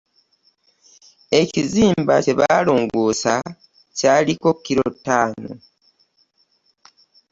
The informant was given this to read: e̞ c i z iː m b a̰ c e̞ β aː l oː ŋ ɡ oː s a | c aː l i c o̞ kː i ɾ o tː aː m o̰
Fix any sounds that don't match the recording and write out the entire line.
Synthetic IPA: e̞ c i z iː m b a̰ c e̞ β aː l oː ŋ ɡ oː s a | c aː l i k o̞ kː i ɾ o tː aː n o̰